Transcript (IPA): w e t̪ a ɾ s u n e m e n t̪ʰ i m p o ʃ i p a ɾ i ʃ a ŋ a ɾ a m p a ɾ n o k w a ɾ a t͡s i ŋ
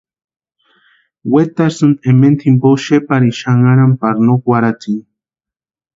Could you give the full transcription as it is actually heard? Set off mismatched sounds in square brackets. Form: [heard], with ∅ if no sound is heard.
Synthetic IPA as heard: w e t̪ a ɾ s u n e m e n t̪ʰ i m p o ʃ [e] p a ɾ i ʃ a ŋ a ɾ a m p a ɾ n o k w a ɾ a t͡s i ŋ